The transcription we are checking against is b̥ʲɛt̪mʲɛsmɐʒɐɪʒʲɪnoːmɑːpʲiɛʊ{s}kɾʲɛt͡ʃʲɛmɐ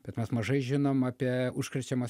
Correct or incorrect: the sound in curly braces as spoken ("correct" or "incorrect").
incorrect